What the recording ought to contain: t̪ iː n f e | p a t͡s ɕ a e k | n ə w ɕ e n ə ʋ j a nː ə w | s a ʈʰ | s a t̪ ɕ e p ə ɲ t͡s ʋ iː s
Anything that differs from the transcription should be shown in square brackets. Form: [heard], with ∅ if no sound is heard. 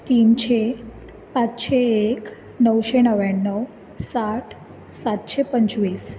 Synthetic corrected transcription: t̪ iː n [ɕ] e | p a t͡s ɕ [e] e k | n ə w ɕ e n ə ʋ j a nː ə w | s a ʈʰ | s a t̪ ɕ e p ə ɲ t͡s ʋ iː s